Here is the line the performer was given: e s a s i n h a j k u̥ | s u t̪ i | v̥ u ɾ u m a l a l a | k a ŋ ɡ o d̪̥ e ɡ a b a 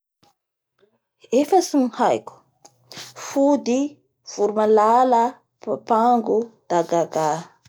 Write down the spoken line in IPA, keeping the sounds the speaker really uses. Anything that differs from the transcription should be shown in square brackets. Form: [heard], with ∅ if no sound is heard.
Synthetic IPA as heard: e [f] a s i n h a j k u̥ | [f] u [d̪] i | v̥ u ɾ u m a l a l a | [p] a ŋ ɡ [u] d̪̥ [a] ɡ a [ɡ] a